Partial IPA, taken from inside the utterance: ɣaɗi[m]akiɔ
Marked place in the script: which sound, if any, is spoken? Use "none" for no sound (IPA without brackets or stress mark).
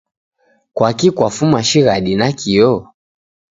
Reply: n